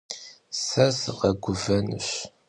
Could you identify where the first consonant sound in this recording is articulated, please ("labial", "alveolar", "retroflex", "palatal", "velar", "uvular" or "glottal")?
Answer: alveolar